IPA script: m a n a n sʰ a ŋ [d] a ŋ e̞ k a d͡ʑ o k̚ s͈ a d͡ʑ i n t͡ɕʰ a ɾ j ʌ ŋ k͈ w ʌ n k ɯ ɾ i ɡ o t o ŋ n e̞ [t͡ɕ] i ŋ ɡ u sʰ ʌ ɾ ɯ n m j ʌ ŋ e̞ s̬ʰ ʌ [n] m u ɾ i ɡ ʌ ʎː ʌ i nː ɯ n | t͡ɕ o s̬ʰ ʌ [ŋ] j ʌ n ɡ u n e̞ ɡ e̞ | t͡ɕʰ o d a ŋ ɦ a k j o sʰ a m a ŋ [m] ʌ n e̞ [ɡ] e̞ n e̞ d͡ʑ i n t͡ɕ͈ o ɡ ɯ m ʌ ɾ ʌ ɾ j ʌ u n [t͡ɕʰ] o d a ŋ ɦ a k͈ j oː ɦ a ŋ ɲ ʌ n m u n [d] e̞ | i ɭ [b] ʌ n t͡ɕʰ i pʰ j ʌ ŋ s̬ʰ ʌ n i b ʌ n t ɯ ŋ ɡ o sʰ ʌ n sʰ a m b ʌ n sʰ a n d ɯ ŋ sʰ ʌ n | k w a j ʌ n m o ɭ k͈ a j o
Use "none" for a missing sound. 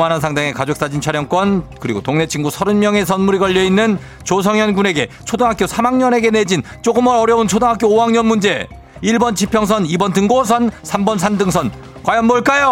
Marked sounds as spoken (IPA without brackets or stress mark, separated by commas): d, t͡ɕʰ, n, ŋ, ɲ, ɡ, t͡ɕʰ, d͡ʑ, b